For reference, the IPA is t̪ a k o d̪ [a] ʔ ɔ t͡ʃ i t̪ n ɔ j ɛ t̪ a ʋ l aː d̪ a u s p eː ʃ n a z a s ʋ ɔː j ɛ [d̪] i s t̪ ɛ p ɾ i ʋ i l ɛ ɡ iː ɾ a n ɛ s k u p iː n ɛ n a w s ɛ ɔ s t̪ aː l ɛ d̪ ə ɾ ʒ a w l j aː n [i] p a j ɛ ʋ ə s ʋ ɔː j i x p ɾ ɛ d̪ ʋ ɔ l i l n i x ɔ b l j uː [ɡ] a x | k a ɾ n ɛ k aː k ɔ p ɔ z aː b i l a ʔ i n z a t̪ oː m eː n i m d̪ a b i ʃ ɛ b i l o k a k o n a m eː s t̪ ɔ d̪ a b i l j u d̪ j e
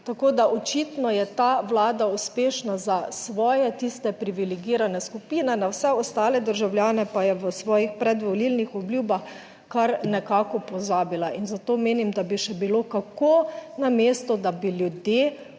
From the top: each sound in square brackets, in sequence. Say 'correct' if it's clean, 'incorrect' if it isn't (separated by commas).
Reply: correct, incorrect, incorrect, incorrect